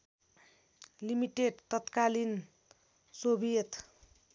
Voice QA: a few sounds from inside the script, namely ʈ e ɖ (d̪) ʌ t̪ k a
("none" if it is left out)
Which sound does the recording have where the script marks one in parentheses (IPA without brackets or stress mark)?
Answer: t̪